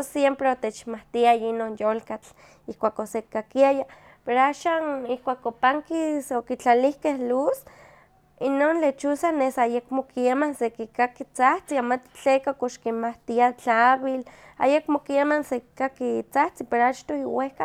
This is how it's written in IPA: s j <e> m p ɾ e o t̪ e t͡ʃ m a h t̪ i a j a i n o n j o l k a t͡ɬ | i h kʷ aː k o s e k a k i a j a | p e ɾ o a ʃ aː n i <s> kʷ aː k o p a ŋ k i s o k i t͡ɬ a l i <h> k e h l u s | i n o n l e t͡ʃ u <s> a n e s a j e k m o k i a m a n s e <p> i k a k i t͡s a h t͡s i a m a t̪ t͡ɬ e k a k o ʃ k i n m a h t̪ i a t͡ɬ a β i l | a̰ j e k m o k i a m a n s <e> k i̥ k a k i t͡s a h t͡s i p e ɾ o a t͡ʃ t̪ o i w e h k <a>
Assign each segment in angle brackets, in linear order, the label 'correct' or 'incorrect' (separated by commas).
correct, incorrect, correct, correct, incorrect, correct, correct